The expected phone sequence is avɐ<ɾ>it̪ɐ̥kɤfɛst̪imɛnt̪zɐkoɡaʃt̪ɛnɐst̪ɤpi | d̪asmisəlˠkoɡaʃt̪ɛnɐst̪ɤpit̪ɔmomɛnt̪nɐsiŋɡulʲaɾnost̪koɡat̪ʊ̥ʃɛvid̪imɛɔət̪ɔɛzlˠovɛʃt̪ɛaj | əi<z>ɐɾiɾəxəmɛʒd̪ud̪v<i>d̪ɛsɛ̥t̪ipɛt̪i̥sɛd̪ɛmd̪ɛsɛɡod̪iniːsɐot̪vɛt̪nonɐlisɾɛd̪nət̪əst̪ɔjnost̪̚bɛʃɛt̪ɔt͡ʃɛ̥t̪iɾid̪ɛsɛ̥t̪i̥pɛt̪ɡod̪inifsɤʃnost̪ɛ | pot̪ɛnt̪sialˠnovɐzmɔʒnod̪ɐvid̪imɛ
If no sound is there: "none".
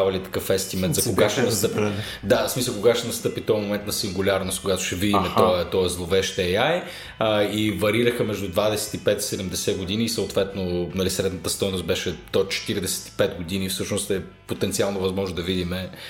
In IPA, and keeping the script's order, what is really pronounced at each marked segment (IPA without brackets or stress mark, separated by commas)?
l, v, a